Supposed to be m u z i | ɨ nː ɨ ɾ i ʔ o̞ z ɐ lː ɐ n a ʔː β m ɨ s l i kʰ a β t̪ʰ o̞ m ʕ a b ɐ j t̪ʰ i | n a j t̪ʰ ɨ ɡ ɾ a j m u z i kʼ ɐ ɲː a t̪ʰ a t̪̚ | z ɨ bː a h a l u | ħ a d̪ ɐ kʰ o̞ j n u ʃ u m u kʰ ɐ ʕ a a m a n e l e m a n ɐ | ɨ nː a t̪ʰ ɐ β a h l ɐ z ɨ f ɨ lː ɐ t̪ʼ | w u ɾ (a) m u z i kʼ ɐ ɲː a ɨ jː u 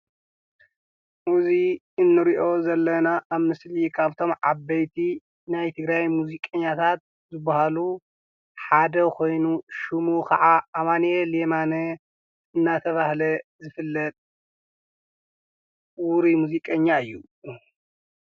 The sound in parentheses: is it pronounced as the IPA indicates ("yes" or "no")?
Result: no